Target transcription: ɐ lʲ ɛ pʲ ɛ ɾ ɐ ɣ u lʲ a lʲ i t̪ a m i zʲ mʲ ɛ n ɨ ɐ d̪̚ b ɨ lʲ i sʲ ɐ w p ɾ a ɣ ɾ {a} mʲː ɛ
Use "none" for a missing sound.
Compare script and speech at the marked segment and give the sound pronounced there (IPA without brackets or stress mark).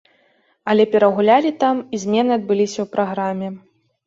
a